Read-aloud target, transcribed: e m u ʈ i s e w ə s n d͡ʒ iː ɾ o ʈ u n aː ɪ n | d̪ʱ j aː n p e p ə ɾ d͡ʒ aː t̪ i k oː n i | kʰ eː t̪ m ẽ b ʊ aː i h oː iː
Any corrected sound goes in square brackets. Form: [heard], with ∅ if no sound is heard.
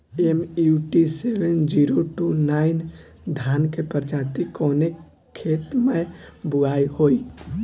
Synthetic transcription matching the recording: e m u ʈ i s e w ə [∅] n d͡ʒ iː ɾ o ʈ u n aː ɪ n | d̪ʱ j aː n [k] e p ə ɾ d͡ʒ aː t̪ i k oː n [e] | kʰ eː t̪ m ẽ b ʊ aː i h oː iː